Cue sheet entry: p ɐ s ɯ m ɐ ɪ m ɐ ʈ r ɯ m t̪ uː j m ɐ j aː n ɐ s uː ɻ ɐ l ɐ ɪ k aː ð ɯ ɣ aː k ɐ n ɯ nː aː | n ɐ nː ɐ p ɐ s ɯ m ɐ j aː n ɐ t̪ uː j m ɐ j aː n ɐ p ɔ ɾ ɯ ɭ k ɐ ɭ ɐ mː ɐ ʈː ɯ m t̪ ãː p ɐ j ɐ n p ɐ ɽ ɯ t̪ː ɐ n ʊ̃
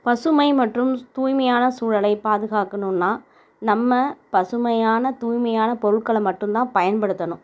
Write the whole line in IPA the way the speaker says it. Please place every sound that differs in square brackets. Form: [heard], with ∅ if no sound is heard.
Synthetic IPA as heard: p ɐ s ɯ m ɐ ɪ m ɐ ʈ r ɯ m t̪ uː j m ɐ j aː n ɐ s uː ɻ ɐ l ɐ ɪ [p] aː ð ɯ ɣ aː k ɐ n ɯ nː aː | n ɐ [mː] ɐ p ɐ s ɯ m ɐ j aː n ɐ t̪ uː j m ɐ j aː n ɐ p ɔ ɾ ɯ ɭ k ɐ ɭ ɐ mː ɐ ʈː ɯ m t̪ ãː p ɐ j ɐ n p ɐ ɽ ɯ t̪ː ɐ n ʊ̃